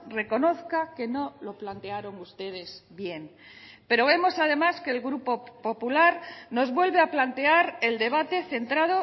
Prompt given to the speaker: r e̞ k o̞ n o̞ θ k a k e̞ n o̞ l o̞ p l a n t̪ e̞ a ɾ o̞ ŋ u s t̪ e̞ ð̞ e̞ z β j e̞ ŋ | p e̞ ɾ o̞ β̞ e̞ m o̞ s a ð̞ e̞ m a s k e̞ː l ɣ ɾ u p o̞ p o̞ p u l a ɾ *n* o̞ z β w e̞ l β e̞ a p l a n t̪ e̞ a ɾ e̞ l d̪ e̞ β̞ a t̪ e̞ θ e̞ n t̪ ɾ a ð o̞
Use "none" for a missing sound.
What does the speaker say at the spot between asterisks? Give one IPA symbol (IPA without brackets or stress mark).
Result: n